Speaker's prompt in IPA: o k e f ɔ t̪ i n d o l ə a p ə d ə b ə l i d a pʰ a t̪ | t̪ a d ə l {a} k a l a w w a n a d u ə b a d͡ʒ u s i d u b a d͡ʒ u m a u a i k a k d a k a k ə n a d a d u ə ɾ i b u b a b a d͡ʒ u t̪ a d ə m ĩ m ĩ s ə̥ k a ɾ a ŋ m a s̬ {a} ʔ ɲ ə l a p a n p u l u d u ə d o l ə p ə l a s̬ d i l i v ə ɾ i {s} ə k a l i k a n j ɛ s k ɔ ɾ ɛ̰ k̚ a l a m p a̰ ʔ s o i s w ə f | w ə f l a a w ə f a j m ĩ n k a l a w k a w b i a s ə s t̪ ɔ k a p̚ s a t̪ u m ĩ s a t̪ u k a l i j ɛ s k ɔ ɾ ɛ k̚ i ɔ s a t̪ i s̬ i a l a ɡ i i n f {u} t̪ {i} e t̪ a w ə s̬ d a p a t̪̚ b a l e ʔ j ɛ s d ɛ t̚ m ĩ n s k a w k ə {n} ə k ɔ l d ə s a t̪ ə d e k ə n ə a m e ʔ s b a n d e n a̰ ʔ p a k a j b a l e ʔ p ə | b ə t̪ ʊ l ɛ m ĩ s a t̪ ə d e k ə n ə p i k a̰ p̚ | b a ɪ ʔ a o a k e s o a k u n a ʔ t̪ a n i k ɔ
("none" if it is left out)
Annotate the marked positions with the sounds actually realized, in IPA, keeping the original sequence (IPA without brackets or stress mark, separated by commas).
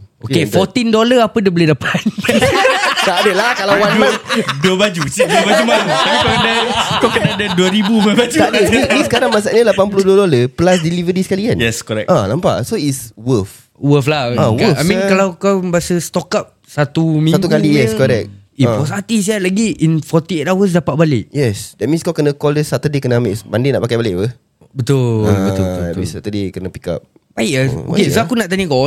a, a, s, ɔ, i, n